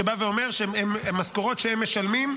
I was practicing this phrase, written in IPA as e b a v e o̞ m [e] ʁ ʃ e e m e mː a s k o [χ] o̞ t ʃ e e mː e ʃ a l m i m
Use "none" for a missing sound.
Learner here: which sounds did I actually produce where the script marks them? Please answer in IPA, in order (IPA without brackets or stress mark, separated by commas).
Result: e, ʁ